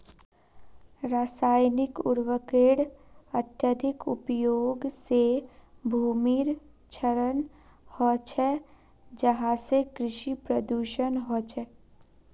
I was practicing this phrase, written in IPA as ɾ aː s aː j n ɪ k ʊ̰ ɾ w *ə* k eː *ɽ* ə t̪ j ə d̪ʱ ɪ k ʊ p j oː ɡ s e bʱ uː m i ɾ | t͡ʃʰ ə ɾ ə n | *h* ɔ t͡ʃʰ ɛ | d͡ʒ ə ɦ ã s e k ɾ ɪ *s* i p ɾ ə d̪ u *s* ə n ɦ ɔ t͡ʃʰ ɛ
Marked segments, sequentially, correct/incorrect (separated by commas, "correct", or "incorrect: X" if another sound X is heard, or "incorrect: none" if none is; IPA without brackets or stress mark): correct, correct, correct, incorrect: ʃ, incorrect: ʃ